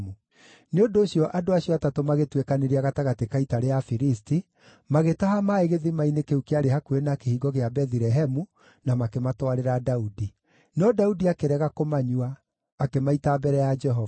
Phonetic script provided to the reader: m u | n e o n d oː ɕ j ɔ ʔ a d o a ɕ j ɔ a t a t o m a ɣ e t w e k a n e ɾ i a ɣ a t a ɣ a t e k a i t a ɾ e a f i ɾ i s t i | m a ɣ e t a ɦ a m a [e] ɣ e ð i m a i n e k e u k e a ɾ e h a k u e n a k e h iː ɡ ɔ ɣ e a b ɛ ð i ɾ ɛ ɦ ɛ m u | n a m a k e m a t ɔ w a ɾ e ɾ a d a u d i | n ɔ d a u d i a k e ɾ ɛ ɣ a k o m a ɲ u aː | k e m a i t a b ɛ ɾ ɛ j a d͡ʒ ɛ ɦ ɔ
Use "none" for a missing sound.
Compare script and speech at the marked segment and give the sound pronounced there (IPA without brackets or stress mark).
e